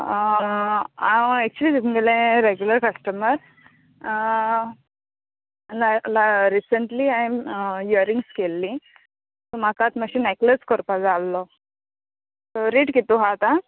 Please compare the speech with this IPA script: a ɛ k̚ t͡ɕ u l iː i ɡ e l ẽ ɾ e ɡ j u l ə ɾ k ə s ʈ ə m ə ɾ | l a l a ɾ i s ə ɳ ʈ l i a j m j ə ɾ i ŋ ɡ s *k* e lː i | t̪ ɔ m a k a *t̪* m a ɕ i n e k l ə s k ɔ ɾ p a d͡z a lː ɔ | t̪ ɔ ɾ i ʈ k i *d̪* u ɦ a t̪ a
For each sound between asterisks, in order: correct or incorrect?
correct, correct, incorrect: t̪

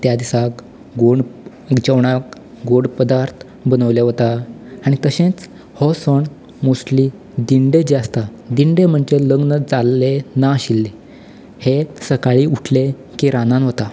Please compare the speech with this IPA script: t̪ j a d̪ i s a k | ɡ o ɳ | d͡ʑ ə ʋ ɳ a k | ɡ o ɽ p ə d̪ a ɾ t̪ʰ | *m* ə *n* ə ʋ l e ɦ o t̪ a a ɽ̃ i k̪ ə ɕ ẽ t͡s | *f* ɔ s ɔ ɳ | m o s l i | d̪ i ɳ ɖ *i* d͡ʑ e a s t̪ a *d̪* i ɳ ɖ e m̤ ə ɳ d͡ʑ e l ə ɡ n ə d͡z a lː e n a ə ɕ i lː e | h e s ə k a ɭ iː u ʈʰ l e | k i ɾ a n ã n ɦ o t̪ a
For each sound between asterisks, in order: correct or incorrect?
incorrect: b, correct, incorrect: h, incorrect: e, correct

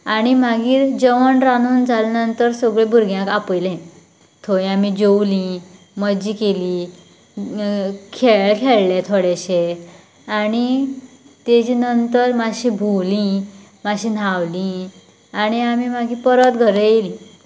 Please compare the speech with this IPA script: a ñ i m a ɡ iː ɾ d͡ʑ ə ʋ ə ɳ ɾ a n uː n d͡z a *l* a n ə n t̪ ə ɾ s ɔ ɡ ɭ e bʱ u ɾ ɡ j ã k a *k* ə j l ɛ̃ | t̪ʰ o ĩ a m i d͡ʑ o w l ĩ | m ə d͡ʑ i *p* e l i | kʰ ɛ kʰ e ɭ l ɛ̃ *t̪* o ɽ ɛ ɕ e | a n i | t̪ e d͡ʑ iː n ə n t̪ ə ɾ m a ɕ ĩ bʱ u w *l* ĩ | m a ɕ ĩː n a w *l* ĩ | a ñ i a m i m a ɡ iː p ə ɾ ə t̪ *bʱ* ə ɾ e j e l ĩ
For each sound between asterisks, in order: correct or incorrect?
correct, incorrect: p, incorrect: k, incorrect: t̪ʰ, correct, correct, incorrect: ɡʱ

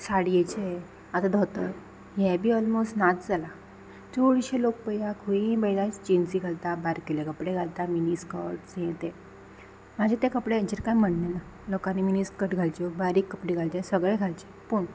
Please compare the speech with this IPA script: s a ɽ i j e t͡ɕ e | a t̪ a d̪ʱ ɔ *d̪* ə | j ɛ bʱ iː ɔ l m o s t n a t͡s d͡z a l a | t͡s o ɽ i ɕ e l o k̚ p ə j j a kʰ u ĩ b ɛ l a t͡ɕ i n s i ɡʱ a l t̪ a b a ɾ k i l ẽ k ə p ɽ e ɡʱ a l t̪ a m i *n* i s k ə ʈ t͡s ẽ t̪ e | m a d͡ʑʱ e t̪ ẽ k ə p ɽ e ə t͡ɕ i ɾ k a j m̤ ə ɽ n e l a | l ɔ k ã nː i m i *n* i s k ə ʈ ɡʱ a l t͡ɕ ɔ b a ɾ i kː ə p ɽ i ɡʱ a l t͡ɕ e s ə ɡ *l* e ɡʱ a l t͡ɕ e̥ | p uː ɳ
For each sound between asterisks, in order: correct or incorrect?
incorrect: t̪, correct, correct, incorrect: ɭ

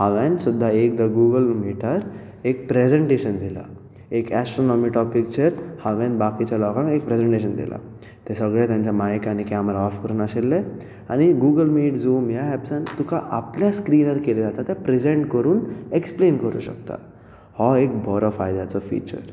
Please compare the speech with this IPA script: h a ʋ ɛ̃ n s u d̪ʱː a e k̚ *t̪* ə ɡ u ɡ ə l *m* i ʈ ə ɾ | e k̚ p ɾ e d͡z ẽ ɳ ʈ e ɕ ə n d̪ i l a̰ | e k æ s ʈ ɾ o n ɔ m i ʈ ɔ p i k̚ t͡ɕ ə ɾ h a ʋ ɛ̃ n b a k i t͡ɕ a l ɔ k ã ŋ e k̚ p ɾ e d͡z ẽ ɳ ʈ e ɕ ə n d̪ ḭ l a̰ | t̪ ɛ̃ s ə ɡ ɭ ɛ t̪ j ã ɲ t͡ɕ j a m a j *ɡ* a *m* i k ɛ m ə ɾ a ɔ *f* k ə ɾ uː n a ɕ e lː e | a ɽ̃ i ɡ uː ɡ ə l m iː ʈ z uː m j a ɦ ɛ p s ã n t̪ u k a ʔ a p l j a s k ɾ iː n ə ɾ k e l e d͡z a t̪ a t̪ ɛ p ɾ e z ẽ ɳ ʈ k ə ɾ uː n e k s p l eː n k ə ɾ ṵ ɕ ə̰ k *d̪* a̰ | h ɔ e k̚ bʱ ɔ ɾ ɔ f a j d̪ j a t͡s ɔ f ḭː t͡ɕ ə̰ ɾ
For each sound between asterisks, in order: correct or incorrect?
incorrect: d̪, correct, incorrect: k, incorrect: n, correct, incorrect: t̪

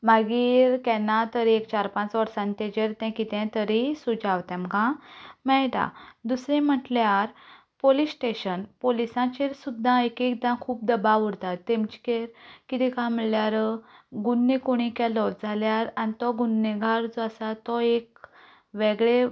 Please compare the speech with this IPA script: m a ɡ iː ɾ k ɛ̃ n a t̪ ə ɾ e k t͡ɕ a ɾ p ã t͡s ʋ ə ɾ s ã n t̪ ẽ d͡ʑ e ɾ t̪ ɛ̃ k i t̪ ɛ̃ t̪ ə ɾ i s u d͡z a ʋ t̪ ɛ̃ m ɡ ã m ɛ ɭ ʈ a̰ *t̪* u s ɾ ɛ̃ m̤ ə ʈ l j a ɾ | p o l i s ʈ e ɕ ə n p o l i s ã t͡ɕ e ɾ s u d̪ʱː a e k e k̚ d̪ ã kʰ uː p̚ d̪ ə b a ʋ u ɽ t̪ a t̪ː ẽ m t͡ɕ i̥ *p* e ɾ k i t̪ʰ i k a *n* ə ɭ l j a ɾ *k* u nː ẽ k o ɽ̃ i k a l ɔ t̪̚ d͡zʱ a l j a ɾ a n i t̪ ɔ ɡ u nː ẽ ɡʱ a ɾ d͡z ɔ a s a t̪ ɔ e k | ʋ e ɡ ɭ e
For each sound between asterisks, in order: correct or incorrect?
incorrect: d̪, incorrect: k, incorrect: m, incorrect: ɡ

